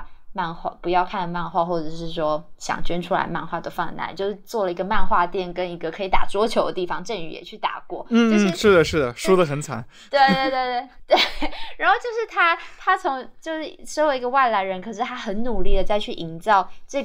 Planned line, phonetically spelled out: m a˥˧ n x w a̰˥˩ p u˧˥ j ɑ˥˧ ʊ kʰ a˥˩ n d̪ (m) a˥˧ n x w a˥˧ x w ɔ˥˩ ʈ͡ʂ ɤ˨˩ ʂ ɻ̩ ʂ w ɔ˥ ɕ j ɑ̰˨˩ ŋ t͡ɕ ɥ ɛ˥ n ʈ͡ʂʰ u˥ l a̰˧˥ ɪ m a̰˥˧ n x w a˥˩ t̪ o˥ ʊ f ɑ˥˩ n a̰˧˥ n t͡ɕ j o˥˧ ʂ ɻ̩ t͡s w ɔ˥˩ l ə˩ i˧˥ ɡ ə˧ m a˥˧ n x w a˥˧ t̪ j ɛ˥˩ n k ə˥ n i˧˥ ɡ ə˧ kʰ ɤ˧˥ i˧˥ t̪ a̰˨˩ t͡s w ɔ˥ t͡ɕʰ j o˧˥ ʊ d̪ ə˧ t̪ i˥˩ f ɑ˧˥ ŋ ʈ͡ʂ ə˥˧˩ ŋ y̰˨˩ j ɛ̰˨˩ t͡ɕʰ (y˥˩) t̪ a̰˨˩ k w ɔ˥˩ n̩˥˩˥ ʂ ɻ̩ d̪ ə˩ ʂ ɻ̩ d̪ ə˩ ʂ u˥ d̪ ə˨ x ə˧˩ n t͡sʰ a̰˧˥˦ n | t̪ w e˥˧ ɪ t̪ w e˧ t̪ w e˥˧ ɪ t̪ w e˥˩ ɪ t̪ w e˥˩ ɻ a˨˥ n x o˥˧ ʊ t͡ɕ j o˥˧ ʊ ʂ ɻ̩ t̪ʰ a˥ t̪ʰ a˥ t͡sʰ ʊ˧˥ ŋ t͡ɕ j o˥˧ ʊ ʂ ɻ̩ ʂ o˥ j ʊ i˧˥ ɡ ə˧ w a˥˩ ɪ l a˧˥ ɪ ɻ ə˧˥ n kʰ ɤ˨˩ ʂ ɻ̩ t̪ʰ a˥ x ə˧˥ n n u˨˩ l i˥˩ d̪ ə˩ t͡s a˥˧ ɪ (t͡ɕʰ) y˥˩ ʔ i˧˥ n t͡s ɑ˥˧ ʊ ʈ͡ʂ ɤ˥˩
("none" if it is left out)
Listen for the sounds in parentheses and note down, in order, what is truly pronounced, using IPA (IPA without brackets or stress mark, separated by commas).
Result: m, y˥˩, t͡ɕʰ